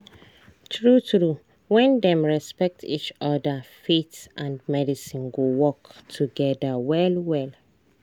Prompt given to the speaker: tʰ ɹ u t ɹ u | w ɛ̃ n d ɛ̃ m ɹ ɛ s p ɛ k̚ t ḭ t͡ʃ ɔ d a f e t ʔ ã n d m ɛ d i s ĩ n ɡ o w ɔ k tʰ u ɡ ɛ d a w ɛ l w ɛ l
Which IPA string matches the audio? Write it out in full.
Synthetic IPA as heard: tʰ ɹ u t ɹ u | w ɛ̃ n d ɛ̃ m ɹ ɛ s p ɛ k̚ t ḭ t͡ʃ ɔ d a f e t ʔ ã n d m ɛ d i s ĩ n ɡ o w ɔ k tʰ u ɡ ɛ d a w ɛ l w ɛ l